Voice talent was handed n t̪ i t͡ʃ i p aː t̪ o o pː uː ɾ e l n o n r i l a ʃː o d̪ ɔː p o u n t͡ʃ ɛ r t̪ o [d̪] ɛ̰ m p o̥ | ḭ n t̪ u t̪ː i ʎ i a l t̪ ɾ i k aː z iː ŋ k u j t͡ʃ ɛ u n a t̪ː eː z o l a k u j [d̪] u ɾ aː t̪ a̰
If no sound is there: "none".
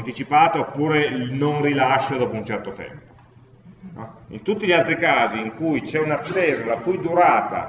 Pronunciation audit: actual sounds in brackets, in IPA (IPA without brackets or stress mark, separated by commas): t̪, d̪